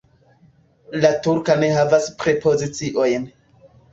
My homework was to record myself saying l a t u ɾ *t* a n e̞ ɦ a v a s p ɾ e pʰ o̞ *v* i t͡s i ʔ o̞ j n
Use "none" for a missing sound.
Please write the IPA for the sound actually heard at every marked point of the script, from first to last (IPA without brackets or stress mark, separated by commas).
k, z